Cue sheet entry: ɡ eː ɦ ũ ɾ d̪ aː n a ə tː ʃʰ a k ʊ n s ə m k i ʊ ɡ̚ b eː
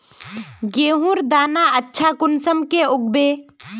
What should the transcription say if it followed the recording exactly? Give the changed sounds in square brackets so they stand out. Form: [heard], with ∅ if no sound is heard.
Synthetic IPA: ɡ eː ɦ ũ ɾ d̪ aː n a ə tː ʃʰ a k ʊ n s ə m k [e] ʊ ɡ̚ b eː